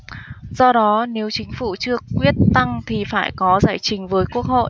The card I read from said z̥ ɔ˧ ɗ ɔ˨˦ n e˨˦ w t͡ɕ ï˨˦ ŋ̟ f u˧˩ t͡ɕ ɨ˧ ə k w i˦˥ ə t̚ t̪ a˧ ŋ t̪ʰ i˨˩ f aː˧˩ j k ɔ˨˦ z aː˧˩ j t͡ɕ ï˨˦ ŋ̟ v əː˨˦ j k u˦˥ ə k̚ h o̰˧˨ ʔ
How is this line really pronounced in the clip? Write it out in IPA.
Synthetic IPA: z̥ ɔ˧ ɗ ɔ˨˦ n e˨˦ w t͡ɕ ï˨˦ ŋ̟ f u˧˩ t͡ɕ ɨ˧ ə k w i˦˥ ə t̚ t̪ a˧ ŋ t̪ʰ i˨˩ f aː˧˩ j k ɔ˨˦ z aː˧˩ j t͡ɕ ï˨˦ ŋ̟ v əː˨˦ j k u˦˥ ə k̚ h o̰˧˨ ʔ